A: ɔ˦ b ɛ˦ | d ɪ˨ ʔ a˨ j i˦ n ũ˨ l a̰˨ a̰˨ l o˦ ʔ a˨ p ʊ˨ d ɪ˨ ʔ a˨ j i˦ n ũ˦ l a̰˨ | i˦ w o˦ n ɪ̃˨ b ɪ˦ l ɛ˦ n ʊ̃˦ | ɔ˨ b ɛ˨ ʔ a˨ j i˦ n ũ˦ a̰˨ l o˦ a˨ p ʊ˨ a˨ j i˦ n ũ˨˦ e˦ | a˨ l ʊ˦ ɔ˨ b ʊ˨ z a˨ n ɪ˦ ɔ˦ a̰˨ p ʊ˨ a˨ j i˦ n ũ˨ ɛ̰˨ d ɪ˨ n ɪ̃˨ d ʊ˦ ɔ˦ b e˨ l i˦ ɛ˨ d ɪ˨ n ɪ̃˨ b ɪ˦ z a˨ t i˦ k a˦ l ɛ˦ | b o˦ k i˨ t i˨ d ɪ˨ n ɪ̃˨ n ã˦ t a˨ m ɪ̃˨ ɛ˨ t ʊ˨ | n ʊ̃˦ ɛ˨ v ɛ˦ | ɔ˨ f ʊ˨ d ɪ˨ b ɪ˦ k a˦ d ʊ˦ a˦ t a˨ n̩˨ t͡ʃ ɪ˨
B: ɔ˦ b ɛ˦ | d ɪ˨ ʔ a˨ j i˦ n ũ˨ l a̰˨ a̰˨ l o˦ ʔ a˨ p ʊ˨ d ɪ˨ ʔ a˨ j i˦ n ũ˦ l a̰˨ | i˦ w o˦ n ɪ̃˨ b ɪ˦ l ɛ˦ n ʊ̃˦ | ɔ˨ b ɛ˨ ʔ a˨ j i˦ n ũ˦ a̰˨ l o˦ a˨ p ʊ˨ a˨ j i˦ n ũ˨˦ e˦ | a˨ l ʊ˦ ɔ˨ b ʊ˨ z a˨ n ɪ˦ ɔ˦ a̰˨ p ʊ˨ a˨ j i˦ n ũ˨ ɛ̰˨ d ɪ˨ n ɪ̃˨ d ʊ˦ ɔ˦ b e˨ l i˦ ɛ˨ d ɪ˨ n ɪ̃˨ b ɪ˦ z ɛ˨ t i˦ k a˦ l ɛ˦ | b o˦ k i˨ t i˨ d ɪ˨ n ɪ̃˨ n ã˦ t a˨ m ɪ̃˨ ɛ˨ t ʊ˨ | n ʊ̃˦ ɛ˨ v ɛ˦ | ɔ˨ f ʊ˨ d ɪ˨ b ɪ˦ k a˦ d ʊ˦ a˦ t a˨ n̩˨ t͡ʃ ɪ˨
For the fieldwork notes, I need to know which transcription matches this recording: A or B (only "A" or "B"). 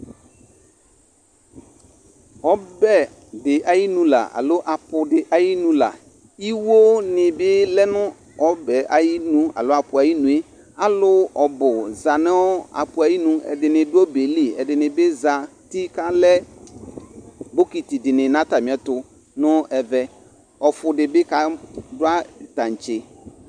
A